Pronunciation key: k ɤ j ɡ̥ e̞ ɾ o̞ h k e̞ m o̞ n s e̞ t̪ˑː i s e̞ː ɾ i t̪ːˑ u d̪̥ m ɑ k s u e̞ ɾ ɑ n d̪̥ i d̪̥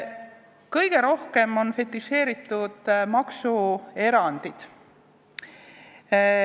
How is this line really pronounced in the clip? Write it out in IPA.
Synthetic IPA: k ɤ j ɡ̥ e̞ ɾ o̞ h k e̞ m o̞ n f e̞ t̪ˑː i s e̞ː ɾ i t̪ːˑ u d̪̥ m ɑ k s u e̞ ɾ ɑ n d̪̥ i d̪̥